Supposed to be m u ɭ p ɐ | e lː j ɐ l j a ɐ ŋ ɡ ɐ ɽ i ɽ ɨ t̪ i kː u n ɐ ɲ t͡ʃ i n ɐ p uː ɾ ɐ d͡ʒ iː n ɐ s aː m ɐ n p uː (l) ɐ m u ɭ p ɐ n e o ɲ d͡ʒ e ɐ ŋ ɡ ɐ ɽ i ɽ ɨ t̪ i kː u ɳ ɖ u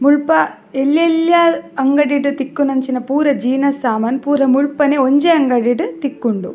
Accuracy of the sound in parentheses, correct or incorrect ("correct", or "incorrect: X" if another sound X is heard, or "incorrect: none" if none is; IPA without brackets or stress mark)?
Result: incorrect: ɾ